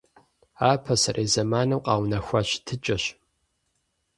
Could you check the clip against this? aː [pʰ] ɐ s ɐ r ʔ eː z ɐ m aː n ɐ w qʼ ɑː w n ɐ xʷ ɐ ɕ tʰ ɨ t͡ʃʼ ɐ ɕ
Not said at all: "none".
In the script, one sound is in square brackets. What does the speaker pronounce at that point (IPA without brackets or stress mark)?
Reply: pʰ